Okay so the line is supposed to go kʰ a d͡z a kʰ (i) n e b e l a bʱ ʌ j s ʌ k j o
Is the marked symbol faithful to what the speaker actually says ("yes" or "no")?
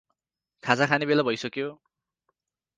no